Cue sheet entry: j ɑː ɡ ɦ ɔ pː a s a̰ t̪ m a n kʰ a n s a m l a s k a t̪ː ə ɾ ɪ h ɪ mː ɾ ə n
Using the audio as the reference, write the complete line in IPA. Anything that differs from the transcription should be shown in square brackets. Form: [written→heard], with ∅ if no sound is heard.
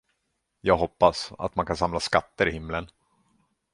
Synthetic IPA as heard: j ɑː ɡ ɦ ɔ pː a s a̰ t̪ m a n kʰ a n s a m l a s k a t̪ː ə ɾ ɪ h ɪ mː [ɾ→l] ə n